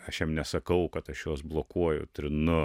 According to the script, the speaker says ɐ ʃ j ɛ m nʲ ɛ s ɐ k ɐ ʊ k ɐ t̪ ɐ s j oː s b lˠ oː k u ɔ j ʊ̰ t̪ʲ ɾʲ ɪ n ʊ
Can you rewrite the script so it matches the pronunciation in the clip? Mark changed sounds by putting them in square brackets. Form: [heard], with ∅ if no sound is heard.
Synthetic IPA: ɐ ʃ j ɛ m nʲ ɛ s ɐ k ɐ ʊ k ɐ t̪ ɐ [ʃ] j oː s b lˠ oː k u ɔ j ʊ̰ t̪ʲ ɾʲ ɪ n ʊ